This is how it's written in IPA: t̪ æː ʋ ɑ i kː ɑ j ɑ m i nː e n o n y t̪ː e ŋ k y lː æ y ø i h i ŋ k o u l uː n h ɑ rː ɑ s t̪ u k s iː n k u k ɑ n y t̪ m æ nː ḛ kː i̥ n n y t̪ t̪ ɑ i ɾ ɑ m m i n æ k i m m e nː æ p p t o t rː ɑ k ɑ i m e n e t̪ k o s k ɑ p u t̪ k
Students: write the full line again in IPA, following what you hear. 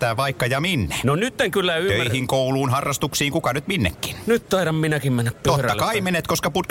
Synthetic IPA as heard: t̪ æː ʋ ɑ i kː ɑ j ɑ m i nː e n o n y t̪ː e ŋ k y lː æ y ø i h i ŋ k o u l uː n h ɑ rː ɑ s t̪ u k s iː ŋ k u k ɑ n y t̪ m i nː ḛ kː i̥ n n y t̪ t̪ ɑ i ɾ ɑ m m i n æ k i m m e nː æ p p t o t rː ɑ k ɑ i m e n e t̪ k o s k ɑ p u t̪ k